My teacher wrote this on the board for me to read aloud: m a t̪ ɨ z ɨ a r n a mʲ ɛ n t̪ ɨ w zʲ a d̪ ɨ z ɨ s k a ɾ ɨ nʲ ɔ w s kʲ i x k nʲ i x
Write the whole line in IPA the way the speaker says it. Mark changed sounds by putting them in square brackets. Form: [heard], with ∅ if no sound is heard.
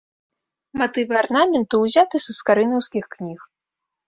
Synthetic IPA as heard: m a t̪ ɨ [v] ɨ a r n a mʲ ɛ n t̪ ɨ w zʲ a [t̪] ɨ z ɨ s k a ɾ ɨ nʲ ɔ w s kʲ i x k nʲ i x